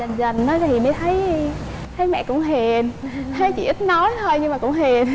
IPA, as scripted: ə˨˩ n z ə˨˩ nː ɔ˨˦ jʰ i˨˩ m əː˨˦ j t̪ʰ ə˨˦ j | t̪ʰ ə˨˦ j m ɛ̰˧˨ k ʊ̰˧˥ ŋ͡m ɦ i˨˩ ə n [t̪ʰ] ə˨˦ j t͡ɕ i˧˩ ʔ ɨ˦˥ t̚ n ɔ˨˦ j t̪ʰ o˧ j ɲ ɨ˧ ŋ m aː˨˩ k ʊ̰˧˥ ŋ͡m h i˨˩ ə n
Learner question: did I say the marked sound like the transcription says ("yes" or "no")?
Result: yes